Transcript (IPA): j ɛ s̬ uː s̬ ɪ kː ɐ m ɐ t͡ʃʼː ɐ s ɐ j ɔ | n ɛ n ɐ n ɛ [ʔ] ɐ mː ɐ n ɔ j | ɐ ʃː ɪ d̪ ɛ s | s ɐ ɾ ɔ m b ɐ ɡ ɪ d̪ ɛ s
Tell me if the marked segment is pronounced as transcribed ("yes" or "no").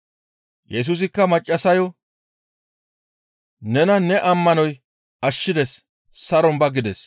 yes